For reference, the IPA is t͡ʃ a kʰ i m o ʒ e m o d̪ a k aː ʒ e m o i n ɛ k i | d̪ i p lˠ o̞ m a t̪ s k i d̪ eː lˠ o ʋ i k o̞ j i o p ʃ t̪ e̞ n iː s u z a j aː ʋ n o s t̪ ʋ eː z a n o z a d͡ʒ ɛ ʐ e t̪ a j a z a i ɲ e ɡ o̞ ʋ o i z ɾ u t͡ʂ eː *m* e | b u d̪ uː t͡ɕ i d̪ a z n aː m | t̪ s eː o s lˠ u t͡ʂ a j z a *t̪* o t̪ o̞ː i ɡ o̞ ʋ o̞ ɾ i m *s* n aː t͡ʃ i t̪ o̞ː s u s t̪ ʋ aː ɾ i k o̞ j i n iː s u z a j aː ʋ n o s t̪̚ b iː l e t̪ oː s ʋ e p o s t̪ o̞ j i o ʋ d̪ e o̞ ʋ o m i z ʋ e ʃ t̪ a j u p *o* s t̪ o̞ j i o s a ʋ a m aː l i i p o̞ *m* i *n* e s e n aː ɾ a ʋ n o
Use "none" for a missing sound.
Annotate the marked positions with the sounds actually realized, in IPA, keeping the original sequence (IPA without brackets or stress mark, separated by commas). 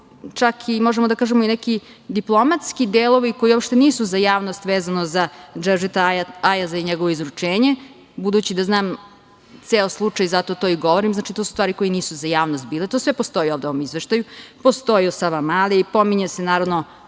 ɲ, t̪, z, o, m, ɲ